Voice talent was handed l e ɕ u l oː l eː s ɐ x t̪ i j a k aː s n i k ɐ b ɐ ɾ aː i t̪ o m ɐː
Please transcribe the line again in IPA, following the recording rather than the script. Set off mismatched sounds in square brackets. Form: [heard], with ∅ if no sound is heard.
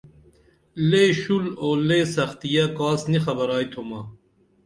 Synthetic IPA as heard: l e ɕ u l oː l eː s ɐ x t̪ i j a k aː s n i [x] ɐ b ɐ ɾ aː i [t̪ʰ] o m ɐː